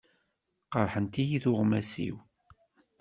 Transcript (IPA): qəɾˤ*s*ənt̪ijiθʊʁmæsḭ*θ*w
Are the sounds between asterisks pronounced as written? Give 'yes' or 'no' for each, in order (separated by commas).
no, no